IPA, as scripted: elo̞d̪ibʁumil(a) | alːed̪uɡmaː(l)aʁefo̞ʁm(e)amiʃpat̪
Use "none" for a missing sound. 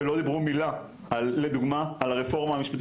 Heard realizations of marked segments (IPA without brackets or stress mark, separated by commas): a, l, a